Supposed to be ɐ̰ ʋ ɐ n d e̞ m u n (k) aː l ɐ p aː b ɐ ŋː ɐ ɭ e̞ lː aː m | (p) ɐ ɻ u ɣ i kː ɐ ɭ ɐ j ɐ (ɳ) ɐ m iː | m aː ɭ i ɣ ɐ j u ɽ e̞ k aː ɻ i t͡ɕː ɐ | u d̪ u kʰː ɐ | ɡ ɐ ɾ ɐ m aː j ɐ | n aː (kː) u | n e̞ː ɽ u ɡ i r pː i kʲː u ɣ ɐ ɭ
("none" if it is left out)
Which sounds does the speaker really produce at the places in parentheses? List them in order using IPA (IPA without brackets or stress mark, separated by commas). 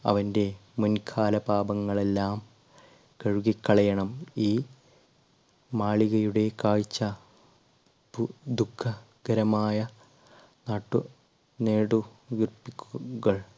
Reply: kʰ, k, ɳ, ʈː